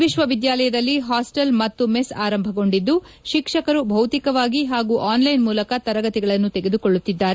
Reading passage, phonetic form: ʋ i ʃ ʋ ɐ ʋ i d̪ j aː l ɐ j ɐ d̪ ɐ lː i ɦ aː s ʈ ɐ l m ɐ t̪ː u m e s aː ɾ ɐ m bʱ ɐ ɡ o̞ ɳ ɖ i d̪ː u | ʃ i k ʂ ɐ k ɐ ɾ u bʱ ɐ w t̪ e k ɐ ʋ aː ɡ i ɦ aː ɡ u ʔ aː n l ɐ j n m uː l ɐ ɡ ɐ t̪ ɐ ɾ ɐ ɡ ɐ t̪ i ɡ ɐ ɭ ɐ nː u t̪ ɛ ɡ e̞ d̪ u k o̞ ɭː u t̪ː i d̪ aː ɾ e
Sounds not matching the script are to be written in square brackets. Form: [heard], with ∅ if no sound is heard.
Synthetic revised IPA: ʋ i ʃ ʋ ɐ ʋ i d̪ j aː l ɐ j ɐ d̪ ɐ lː i ɦ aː s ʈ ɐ l m ɐ t̪ː u m e s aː ɾ ɐ m bʱ ɐ ɡ o̞ ɳ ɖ i d̪ː u | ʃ i k ʂ ɐ k ɐ ɾ u bʱ ɐ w t̪ [i] k ɐ ʋ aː ɡ i ɦ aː ɡ u ʔ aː n l ɐ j n m uː l ɐ [k] ɐ t̪ ɐ ɾ ɐ ɡ ɐ t̪ i ɡ ɐ ɭ ɐ nː u t̪ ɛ ɡ e̞ d̪ u k o̞ ɭː u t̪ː i [d̪ː] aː ɾ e